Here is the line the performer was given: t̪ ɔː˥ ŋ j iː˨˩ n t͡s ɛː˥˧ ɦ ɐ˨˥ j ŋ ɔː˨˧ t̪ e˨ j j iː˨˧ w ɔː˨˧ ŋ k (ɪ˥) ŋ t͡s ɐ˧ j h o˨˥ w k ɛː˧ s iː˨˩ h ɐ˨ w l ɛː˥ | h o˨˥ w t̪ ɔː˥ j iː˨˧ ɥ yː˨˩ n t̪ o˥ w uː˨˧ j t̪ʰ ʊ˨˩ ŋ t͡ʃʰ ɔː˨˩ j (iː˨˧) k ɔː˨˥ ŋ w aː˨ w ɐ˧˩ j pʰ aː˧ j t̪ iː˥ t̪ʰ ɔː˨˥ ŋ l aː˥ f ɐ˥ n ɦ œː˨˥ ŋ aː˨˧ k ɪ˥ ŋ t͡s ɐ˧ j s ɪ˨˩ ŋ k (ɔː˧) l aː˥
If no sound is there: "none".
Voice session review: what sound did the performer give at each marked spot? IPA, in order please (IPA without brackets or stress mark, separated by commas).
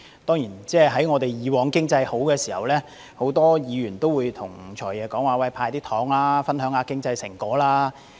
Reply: ɪ˥, ɛː˨˧, ɔː˨˥